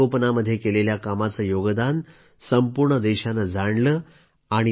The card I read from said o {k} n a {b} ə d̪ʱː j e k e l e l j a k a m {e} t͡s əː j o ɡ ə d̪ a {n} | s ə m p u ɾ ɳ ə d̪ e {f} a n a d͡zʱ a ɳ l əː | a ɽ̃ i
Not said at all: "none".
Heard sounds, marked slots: p, m, a, n, ɕ

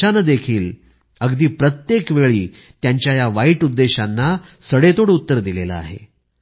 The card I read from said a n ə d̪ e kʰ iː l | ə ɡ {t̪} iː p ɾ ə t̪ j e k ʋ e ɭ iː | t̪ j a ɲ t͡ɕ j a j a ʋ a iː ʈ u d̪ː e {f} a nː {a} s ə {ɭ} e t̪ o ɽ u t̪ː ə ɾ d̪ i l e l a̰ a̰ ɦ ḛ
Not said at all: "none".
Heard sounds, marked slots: d̪, ɕ, a, ɽ

